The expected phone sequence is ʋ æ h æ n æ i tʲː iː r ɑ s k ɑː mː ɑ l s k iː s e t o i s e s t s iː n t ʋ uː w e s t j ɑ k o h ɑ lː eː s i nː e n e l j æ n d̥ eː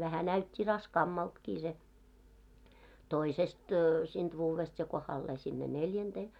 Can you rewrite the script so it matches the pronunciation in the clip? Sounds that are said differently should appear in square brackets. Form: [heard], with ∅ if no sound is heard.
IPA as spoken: ʋ æ h æ n æ [y] tʲː [i] r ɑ s k ɑː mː ɑ l [t] k iː s e t o i s e s t s iː n t ʋ uː [ʋ] e s t j ɑ k o h ɑ lː eː s i nː e n e l j æ n d̥ eː